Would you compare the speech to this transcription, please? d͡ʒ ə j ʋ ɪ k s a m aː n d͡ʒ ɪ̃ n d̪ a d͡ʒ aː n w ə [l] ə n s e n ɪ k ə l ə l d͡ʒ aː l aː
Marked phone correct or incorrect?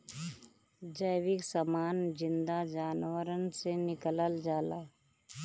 incorrect